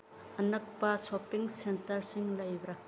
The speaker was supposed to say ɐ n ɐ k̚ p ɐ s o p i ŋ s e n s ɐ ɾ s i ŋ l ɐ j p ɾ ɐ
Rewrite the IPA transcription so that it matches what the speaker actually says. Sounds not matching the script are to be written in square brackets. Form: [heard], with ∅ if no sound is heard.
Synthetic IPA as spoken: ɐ n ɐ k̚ p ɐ s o p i ŋ s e n [t] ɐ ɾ s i ŋ l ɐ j [b] ɾ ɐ

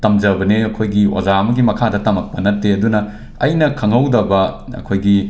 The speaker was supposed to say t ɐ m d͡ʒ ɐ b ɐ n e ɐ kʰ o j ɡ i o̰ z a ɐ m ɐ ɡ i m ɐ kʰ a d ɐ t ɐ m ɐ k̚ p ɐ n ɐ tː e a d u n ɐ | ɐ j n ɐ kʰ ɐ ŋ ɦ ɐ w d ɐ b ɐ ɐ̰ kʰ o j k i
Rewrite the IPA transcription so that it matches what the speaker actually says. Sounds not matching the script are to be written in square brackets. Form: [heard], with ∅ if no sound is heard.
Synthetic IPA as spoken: t ɐ m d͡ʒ ɐ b ɐ n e ɐ kʰ o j ɡ i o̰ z a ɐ m ɐ ɡ i m ɐ kʰ a d ɐ t ɐ m ɐ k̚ p ɐ n ɐ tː e [ɐ] d u n ɐ | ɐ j n ɐ kʰ ɐ ŋ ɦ ɐ w d ɐ b ɐ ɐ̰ kʰ o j [ɡ] i

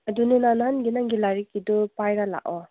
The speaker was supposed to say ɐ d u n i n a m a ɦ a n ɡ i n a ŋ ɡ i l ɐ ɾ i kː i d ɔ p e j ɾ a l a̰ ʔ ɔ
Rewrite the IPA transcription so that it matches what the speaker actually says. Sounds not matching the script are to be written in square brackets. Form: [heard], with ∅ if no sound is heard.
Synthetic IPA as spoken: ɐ d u n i n a [n] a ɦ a n ɡ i n a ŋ ɡ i l [a] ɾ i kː i d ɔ p [a] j ɾ a l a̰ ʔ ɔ

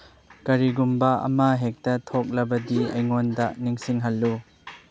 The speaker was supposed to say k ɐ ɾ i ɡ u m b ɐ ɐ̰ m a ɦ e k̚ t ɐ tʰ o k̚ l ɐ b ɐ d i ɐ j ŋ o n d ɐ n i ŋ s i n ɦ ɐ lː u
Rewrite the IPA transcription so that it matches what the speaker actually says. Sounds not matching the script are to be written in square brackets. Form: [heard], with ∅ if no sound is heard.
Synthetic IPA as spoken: k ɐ ɾ i ɡ u m b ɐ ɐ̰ m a ɦ e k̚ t ɐ tʰ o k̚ l ɐ b ɐ d i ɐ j ŋ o n d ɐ n i ŋ s i [ŋ] ɦ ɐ lː u

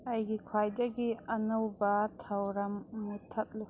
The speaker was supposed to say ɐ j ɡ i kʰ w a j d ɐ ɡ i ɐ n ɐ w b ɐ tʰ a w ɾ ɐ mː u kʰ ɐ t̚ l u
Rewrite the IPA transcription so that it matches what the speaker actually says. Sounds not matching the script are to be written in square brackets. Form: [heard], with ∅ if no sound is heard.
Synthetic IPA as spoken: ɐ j ɡ i kʰ w a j d ɐ ɡ i ɐ n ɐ w b ɐ tʰ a w ɾ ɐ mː u [tʰ] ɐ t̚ l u

